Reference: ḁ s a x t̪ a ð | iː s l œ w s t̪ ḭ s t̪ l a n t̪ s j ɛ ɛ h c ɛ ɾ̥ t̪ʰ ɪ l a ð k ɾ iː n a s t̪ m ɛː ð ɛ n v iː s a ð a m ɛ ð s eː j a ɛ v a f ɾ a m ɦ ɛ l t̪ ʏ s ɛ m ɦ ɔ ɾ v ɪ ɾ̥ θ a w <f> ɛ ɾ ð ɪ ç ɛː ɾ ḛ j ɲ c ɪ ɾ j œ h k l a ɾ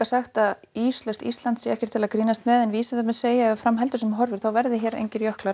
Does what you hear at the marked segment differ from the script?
yes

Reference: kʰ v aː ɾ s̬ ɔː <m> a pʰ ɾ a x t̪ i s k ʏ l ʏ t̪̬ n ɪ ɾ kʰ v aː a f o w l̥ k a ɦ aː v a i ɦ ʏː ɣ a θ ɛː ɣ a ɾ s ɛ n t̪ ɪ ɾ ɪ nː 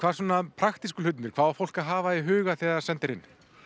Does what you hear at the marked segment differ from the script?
yes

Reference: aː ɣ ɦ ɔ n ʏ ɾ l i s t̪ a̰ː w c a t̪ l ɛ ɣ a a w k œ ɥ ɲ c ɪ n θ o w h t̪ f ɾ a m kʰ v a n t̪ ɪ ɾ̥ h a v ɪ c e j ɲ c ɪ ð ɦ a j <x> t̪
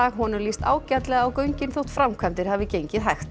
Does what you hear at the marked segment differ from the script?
no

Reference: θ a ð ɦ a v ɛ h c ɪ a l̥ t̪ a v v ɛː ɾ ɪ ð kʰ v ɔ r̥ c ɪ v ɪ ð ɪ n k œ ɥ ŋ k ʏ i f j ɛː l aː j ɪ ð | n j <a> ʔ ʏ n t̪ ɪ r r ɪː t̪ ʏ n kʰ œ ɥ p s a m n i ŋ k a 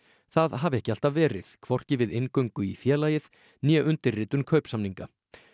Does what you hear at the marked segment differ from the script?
yes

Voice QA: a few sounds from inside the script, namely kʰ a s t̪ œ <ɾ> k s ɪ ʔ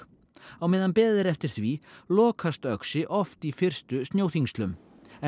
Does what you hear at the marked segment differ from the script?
yes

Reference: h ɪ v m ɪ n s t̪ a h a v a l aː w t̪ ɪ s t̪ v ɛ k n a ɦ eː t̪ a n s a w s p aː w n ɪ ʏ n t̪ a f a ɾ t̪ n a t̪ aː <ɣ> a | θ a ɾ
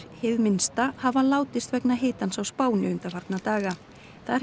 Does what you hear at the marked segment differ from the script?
no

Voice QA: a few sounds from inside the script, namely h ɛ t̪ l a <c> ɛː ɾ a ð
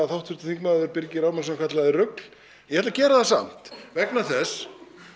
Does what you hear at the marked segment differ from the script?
no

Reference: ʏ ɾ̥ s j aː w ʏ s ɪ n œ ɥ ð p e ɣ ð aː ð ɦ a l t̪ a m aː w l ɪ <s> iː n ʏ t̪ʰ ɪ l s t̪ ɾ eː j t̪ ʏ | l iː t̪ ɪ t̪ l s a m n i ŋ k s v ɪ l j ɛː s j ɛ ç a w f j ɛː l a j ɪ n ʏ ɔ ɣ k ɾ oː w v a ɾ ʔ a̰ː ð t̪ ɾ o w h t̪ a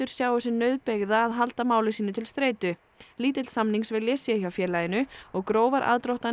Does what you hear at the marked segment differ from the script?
no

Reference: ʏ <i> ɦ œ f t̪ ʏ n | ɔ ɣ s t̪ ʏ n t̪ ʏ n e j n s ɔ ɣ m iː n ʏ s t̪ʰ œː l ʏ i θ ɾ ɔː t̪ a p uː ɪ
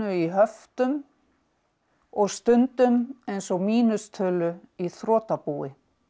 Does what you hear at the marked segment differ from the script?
no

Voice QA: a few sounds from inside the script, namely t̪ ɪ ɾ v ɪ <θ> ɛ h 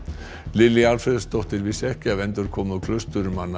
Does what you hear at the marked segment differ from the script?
yes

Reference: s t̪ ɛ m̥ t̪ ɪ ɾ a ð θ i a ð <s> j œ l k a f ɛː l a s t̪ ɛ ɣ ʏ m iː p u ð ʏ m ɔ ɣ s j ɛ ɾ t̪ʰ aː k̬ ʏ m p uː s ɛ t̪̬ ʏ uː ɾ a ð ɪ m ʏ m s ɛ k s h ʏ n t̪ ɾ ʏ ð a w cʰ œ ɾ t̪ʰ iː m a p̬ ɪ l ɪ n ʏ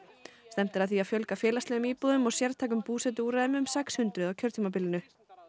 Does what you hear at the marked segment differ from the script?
yes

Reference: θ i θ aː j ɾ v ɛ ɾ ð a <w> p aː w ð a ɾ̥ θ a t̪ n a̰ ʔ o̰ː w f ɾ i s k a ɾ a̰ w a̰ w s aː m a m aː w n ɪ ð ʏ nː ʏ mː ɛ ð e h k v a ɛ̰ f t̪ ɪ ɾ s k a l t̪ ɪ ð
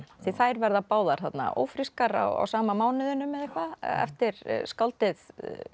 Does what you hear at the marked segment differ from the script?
yes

